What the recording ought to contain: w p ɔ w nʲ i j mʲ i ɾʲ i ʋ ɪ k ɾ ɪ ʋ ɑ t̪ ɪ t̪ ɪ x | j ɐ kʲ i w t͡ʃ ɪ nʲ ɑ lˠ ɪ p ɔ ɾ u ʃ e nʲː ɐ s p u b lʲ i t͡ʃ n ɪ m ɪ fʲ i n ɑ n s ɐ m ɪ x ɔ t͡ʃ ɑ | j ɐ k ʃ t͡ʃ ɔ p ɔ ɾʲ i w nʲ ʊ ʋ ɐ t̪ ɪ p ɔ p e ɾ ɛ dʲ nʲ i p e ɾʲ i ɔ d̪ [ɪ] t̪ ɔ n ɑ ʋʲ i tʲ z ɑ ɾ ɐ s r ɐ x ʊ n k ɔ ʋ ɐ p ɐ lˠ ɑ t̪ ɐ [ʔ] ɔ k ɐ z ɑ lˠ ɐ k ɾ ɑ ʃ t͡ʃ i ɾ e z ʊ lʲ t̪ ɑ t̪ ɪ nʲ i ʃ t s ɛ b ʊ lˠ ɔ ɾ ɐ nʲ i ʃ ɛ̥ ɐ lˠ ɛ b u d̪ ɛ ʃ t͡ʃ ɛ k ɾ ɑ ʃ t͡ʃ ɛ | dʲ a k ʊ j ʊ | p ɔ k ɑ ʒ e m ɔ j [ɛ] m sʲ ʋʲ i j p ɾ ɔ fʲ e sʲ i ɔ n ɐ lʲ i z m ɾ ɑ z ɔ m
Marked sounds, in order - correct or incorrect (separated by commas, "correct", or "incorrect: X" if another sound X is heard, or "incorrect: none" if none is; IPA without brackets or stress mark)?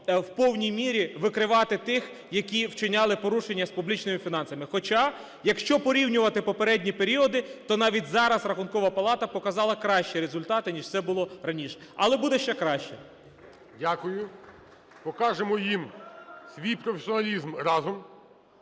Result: correct, incorrect: p, incorrect: i